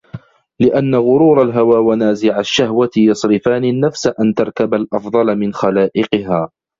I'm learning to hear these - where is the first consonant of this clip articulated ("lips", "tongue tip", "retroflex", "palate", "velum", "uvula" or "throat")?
tongue tip